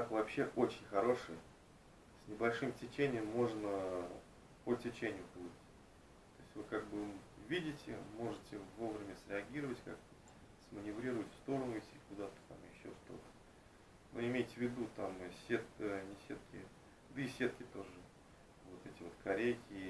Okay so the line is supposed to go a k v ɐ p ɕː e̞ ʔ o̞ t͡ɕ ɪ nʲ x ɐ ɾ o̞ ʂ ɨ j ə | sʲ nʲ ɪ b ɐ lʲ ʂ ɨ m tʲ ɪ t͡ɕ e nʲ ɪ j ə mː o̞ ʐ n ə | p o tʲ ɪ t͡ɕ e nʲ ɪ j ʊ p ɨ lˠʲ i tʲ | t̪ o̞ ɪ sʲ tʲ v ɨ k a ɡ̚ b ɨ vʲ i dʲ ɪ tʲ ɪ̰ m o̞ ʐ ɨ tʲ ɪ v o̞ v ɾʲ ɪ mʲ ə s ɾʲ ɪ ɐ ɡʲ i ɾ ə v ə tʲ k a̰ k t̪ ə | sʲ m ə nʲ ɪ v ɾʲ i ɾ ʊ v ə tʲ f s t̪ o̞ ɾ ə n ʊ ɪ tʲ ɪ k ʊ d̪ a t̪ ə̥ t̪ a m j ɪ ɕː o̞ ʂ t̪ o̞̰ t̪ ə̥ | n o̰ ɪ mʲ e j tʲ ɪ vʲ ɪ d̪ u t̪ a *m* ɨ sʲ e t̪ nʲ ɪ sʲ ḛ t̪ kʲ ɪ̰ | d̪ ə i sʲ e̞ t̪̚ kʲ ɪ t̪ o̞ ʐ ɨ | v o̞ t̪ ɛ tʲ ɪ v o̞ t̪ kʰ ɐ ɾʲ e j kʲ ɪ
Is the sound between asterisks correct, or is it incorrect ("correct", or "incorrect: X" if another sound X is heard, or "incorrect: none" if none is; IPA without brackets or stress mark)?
correct